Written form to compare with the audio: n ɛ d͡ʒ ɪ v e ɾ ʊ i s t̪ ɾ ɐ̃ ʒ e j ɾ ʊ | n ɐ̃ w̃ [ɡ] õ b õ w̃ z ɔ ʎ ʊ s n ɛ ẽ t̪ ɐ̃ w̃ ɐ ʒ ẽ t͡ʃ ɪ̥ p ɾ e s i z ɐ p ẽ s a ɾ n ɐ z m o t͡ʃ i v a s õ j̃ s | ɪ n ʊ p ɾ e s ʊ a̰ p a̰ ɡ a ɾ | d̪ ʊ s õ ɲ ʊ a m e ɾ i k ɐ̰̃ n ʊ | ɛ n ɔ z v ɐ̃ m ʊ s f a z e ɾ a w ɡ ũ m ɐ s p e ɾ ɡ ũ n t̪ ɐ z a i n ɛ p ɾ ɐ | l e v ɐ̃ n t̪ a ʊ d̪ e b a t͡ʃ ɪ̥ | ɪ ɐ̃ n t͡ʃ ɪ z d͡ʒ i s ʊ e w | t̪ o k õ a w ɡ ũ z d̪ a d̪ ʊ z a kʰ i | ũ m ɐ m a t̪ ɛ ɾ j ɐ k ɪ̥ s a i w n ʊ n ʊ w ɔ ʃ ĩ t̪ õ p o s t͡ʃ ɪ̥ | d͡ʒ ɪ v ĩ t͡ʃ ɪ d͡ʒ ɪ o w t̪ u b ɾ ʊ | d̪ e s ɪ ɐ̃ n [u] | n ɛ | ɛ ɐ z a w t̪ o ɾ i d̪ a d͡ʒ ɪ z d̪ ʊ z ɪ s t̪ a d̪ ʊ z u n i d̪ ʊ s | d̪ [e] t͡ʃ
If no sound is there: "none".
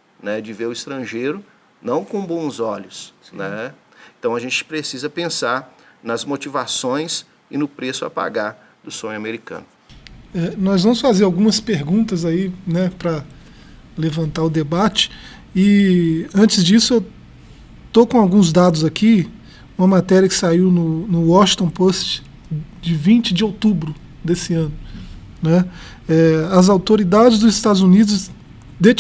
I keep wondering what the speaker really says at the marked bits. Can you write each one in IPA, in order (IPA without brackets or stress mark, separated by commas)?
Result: k, ʊ, e